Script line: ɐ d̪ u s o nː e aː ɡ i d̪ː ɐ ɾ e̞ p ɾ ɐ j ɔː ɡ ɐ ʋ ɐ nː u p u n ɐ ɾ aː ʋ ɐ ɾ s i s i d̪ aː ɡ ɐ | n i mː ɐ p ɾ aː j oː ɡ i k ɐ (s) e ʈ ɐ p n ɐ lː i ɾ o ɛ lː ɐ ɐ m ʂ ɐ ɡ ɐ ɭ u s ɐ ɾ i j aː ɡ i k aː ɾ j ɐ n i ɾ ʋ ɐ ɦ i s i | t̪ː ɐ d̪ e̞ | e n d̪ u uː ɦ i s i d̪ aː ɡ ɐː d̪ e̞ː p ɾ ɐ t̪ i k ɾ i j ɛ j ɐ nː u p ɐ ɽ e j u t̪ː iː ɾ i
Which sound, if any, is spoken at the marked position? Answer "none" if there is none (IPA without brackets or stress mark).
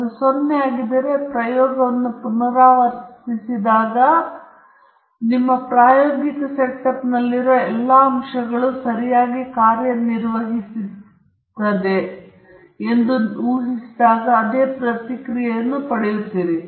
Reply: s